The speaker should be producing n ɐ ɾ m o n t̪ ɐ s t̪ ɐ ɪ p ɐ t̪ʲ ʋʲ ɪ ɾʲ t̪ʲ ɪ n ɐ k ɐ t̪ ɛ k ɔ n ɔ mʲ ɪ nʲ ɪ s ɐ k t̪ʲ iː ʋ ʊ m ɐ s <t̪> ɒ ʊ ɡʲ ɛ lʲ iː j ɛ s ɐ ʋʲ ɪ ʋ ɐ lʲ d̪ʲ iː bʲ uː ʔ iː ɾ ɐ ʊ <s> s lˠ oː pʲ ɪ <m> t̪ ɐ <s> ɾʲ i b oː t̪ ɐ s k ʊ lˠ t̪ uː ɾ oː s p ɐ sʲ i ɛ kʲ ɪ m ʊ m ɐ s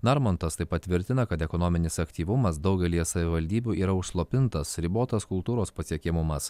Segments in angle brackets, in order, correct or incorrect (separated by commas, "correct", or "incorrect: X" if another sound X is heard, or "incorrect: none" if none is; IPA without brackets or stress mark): incorrect: d̪, incorrect: ʃ, incorrect: n, correct